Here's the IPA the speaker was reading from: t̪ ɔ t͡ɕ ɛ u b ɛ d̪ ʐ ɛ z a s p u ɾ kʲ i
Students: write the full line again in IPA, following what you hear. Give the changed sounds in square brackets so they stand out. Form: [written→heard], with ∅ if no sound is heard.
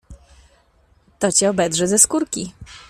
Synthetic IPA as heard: t̪ ɔ t͡ɕ ɛ [u→ɔ] b ɛ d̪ ʐ ɛ z [a→ɛ] s [p→k] u ɾ kʲ i